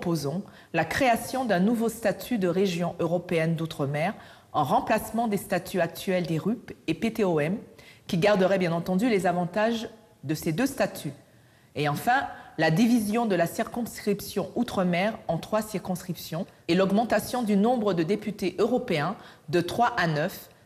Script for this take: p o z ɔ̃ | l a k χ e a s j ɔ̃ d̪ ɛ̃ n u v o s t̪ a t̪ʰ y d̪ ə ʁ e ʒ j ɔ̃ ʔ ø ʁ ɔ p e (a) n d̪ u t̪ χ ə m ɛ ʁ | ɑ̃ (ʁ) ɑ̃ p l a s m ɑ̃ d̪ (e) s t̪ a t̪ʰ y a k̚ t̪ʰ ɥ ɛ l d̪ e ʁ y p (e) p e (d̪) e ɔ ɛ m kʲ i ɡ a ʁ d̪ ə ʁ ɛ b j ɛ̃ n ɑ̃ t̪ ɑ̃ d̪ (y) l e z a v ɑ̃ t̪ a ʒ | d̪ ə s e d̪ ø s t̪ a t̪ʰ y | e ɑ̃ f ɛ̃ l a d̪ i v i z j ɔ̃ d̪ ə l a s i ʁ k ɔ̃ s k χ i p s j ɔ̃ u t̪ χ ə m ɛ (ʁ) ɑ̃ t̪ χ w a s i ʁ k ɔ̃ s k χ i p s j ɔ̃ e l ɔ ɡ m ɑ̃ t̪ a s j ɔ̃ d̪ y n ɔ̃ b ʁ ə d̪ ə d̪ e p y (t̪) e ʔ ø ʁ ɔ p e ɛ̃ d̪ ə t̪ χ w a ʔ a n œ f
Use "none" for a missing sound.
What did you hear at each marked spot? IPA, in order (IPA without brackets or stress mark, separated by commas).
ɛ, ʁ, e, e, t̪, y, ʁ, t̪